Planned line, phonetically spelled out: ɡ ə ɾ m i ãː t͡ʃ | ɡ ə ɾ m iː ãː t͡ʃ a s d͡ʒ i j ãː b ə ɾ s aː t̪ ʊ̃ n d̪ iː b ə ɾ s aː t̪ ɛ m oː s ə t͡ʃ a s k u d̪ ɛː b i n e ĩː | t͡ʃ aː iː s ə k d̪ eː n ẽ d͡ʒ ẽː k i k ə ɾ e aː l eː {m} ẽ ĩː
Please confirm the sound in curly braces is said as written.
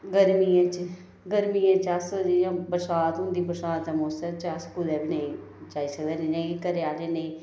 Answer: no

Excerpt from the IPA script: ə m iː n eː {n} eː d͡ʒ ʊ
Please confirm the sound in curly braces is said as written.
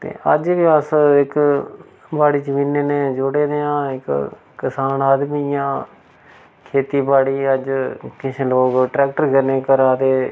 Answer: yes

